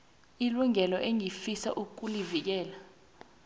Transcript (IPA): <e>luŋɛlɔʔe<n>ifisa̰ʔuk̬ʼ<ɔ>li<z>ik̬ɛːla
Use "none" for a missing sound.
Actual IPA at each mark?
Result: i, ŋ, u, v

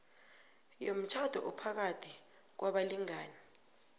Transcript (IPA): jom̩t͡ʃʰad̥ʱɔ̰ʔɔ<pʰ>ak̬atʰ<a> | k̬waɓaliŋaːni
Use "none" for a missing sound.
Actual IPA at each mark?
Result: pʰ, i

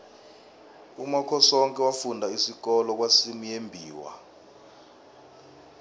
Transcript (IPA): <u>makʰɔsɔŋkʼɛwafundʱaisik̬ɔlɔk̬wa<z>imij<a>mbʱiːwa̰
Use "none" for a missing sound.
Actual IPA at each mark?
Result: u, s, e

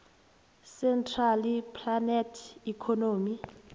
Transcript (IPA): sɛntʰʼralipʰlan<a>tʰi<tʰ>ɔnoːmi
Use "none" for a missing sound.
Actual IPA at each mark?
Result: ɛ, kʰ

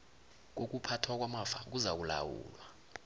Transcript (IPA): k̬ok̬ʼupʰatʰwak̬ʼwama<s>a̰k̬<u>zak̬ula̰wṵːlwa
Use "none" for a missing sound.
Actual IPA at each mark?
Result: f, u

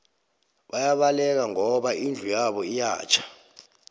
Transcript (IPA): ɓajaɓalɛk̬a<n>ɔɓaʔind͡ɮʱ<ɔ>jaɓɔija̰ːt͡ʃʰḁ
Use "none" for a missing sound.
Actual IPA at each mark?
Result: ŋ, u

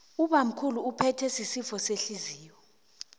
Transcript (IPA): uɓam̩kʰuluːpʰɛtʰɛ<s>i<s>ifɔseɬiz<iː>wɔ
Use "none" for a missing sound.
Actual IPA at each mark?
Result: s, s, iː

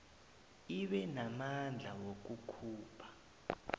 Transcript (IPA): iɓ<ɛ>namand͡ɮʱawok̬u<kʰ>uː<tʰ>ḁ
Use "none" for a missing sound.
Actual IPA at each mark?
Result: ɛ, kʰ, pʰ

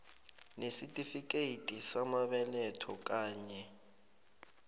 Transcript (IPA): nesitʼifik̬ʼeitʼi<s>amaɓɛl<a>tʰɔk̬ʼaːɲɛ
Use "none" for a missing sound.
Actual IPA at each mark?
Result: s, ɛ

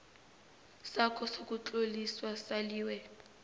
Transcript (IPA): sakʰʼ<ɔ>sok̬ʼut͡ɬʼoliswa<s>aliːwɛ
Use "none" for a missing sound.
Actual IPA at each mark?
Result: ɔ, s

